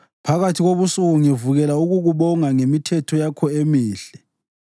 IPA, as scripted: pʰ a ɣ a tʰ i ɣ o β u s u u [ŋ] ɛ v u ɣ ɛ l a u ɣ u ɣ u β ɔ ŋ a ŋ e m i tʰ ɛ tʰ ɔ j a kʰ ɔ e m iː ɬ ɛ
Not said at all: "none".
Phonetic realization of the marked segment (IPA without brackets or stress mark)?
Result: ŋ